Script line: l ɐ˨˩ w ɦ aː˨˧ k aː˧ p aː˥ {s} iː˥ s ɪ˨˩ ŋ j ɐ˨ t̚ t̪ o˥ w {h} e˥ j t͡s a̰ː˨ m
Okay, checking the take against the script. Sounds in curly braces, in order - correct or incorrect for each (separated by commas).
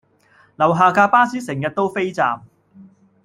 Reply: correct, incorrect